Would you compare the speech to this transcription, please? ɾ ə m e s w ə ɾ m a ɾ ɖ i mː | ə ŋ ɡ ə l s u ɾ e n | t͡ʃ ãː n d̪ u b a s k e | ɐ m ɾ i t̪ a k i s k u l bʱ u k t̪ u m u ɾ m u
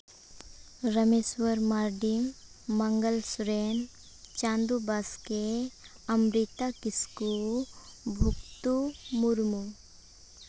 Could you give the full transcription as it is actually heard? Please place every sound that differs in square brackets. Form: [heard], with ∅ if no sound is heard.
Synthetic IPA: ɾ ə m e s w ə ɾ m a ɾ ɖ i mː | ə ŋ ɡ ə l s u ɾ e n | t͡ʃ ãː n d̪ u b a s k e | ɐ m ɾ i t̪ a k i s k u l bʱ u k t̪ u m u ɾ m u